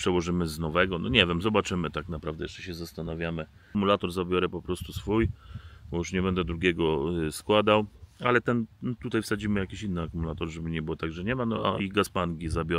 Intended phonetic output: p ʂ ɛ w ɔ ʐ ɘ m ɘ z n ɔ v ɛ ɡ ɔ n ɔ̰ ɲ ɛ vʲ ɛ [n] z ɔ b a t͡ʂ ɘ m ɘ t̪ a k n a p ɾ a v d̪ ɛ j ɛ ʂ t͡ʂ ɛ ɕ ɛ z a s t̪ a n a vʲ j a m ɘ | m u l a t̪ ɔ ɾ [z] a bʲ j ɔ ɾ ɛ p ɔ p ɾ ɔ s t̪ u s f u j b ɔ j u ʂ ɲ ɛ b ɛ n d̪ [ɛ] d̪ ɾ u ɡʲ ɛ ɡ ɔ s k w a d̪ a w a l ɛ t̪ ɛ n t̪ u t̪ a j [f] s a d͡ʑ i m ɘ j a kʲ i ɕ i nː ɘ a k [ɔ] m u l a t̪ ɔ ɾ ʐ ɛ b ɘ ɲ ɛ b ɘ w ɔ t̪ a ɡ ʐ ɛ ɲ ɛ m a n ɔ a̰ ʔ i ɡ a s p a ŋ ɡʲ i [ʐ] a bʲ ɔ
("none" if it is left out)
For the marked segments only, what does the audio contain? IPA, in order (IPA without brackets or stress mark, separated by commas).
m, z, ɛ, f, u, z